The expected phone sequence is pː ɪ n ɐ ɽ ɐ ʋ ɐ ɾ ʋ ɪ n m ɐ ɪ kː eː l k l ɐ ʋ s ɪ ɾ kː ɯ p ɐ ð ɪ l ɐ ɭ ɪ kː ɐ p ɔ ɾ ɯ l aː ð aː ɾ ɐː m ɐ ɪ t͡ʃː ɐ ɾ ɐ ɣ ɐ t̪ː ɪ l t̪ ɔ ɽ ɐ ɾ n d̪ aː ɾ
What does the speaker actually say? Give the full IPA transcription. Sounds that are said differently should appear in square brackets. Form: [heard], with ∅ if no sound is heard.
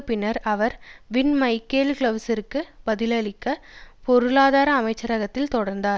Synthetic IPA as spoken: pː ɪ n ɐ [ɾ] ɐ ʋ ɐ ɾ ʋ ɪ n m ɐ ɪ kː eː l k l ɐ ʋ s ɪ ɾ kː ɯ [b] ɐ ð ɪ l ɐ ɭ ɪ kː ɐ p ɔ ɾ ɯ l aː ð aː ɾ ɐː m ɐ ɪ t͡ʃː ɐ ɾ ɐ ɣ ɐ t̪ː ɪ l t̪ ɔ ɽ ɐ ɾ n d̪ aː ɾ